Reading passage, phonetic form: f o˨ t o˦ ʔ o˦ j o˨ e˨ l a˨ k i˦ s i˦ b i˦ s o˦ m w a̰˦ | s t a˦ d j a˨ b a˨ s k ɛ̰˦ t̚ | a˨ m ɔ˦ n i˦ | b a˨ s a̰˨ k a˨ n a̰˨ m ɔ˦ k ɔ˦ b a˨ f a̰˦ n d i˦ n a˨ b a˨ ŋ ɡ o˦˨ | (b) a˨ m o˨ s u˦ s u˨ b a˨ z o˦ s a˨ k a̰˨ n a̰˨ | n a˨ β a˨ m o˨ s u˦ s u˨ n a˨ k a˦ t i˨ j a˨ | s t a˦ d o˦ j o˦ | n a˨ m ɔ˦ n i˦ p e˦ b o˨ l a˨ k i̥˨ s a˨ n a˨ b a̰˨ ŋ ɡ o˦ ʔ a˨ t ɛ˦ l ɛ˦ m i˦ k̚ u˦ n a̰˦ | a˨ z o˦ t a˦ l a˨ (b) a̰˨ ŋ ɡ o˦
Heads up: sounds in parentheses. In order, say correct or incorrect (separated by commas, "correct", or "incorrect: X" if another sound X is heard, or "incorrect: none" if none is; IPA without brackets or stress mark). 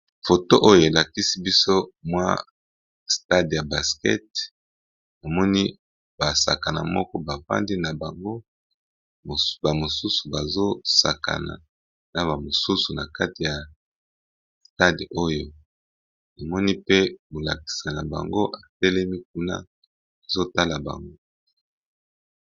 correct, correct